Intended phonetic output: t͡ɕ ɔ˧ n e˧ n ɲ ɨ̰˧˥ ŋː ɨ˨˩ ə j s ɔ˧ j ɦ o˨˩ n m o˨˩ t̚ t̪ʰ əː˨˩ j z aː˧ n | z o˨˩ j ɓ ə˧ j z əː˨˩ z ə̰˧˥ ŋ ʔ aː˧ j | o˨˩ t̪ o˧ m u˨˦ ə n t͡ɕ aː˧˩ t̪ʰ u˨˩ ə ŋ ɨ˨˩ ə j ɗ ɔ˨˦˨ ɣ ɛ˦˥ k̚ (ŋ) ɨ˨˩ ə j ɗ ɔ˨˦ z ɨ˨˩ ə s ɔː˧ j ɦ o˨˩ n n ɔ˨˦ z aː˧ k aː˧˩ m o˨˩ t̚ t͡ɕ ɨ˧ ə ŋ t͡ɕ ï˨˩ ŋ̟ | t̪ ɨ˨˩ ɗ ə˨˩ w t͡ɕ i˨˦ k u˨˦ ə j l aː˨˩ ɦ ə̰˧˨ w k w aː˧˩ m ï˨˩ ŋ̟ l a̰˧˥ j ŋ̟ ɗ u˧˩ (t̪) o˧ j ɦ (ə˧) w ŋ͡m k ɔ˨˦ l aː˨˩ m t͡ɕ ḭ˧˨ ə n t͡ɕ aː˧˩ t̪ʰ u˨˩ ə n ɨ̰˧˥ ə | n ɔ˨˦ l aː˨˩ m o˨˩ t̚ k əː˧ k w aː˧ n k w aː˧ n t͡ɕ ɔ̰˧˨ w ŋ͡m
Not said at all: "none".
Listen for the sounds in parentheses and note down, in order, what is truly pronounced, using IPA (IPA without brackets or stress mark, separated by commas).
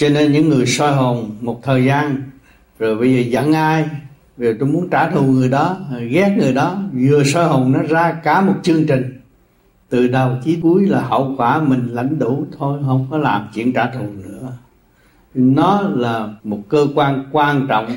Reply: ŋ, t̪ʰ, ə˧